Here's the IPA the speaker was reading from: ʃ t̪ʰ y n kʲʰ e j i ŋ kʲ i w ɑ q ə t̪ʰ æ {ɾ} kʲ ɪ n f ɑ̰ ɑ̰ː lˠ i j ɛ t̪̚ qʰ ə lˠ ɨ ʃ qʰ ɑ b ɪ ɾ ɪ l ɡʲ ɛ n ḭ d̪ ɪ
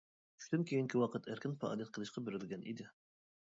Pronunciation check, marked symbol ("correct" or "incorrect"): correct